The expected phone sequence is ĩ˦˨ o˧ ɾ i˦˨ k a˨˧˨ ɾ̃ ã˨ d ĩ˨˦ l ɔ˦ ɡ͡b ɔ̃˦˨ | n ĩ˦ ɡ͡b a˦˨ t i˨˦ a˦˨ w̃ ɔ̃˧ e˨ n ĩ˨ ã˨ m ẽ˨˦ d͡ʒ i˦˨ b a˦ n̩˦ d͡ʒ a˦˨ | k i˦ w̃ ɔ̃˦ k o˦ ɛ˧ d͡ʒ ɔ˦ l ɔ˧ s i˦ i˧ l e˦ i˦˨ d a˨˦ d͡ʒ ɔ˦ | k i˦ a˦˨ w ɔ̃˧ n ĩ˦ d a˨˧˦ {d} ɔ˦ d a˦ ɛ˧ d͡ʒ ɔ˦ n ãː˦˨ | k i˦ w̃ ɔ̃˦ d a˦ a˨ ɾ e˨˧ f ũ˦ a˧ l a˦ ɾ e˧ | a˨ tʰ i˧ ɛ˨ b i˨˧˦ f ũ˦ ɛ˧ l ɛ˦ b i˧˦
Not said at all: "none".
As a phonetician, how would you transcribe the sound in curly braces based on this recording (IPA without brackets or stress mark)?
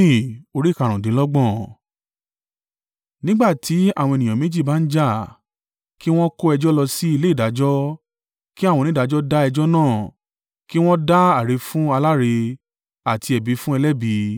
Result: d͡ʒ